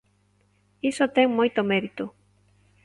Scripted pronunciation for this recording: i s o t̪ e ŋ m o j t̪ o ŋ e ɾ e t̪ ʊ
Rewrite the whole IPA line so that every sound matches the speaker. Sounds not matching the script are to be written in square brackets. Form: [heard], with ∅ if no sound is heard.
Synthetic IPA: i s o t̪ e ŋ m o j t̪ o [m] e ɾ [i] t̪ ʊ